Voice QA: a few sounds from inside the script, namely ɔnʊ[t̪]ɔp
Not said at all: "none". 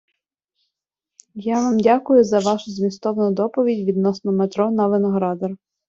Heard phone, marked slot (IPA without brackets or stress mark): d̪